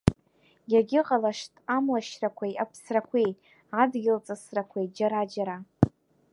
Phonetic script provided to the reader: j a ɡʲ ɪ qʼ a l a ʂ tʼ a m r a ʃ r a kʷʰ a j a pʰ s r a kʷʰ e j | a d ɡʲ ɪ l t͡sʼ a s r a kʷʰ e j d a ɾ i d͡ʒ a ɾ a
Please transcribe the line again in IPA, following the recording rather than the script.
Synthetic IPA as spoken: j a ɡʲ ɪ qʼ a l a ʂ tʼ a m l a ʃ r a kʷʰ a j a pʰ s r a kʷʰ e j | a d ɡʲ ɪ l t͡sʼ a s r a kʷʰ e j d͡ʒ a ɾ a d͡ʒ a ɾ a

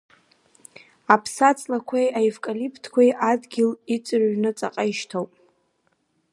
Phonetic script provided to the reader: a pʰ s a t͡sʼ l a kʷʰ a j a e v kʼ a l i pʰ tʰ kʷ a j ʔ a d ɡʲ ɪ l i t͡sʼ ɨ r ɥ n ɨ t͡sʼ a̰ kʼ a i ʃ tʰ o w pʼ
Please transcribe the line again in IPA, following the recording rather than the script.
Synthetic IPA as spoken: a pʰ s a t͡sʼ l a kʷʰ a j a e v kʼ a l i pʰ tʰ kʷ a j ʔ a d ɡʲ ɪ l i t͡sʼ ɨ r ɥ n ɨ t͡sʼ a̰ qʼ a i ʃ tʰ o w pʼ

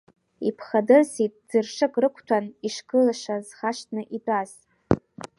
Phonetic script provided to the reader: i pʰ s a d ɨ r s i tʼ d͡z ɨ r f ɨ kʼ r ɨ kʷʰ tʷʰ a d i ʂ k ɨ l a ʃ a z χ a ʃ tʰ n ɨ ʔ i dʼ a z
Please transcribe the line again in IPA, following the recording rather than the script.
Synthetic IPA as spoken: i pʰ χ a d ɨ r s i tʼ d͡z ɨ r ʂ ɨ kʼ r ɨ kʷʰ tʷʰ a n i ʂ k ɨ l a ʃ a z χ a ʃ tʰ n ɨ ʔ i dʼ a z

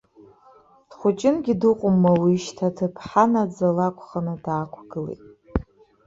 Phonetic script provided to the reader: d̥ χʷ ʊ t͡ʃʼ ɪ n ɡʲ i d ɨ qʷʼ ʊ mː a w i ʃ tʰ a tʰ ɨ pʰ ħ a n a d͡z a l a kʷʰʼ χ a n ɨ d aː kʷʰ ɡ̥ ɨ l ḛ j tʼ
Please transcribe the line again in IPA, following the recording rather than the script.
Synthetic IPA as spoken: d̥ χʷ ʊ t͡ʃʼ ɪ n ɡʲ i d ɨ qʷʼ ʊ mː a w i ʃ tʰ a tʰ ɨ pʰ ħ a n a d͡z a l a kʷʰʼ χ a n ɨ d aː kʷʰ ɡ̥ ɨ l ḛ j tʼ

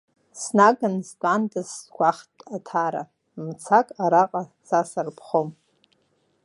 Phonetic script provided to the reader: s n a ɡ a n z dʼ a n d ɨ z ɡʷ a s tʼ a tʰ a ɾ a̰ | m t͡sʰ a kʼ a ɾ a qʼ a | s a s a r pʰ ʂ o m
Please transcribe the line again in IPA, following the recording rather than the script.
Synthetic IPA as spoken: s n a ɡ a n z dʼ a n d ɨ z ɡʷ a χ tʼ a tʰ a ɾ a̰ | m t͡sʰ a kʼ a ɾ a qʼ a | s a s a r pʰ χ o m

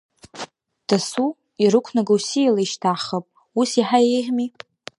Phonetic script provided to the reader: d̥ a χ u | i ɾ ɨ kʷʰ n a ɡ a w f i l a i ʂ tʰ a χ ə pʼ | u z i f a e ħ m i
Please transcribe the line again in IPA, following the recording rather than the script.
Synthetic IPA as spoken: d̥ a s u | i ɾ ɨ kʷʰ n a ɡ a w s i l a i ʃ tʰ a χ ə pʼ | u s i ħ a e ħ m i

